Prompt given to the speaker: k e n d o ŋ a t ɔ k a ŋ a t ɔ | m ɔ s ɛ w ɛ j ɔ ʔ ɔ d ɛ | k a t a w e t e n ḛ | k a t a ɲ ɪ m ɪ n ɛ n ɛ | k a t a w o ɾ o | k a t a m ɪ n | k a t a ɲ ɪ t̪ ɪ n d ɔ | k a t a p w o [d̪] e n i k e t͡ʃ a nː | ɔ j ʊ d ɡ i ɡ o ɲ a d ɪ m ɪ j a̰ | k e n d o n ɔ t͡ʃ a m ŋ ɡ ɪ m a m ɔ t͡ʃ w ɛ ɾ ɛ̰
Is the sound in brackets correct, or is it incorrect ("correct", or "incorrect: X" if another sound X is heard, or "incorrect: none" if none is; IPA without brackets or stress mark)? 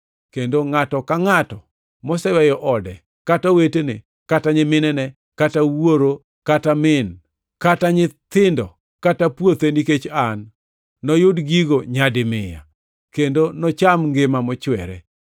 incorrect: t̪